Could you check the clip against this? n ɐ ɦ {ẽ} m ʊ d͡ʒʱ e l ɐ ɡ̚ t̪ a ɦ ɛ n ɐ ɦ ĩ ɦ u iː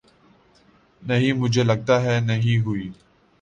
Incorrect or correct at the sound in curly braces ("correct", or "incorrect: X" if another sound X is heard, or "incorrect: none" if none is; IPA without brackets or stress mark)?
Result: incorrect: ĩ